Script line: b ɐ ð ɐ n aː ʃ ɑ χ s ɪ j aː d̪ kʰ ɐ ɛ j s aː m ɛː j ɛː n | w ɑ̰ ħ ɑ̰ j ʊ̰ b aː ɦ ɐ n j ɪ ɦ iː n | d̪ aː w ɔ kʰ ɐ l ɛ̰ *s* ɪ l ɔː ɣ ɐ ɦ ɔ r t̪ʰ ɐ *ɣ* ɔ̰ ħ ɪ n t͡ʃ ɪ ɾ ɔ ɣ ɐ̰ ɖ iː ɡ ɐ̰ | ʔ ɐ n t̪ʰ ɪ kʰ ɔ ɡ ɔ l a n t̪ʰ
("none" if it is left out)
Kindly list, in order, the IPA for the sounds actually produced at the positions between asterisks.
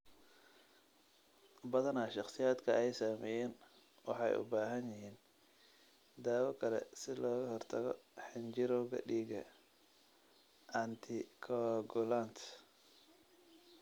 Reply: s, ɣ

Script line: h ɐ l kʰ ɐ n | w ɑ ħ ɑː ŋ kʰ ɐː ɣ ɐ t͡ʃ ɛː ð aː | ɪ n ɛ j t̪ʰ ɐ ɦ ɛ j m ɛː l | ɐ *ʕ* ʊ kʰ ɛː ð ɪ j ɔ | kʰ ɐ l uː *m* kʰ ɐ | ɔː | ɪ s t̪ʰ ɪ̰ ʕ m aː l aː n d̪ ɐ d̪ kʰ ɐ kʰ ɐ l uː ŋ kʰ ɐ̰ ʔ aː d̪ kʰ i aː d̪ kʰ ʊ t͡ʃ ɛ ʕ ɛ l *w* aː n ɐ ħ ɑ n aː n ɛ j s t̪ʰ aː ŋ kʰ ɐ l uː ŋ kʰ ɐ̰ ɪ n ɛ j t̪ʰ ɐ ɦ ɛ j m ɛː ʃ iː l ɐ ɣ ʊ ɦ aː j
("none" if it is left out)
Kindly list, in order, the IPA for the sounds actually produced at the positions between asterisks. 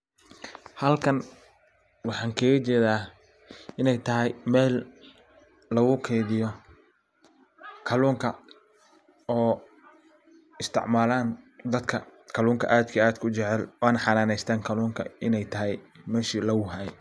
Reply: ɣ, ŋ, w

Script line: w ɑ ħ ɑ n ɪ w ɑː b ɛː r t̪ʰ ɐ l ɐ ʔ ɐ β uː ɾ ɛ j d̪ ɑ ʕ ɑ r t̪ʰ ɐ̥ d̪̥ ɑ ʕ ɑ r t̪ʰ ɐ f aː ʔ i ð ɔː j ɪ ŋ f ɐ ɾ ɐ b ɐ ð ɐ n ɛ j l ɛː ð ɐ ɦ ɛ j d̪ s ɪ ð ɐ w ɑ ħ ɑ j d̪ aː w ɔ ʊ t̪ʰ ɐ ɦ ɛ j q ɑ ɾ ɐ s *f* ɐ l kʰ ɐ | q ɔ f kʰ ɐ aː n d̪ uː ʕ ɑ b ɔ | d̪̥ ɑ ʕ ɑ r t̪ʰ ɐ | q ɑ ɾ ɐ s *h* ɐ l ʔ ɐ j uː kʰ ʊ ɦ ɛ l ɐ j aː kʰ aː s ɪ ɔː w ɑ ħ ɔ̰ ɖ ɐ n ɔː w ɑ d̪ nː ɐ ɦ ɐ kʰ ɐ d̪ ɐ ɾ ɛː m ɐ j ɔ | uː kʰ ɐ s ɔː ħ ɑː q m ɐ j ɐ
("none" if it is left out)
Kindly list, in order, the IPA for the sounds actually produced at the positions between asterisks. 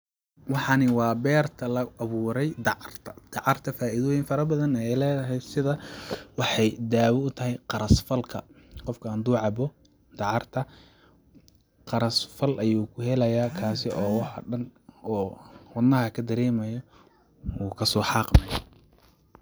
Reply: f, f

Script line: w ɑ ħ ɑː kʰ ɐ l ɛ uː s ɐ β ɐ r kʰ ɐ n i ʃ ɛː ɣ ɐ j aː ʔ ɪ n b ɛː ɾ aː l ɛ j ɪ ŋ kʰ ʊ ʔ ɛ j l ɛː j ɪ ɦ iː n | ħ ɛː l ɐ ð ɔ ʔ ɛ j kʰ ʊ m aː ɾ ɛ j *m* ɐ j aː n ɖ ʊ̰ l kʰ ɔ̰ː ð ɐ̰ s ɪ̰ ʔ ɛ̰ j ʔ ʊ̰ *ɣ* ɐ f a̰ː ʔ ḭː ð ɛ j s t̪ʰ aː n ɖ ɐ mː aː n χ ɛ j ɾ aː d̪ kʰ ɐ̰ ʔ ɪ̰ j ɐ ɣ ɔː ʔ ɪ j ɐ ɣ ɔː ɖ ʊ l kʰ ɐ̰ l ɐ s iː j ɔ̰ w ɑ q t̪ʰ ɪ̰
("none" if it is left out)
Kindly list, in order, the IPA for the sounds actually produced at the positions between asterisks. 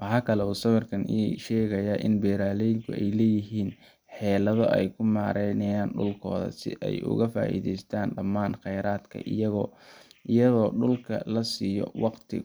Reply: n, ɣ

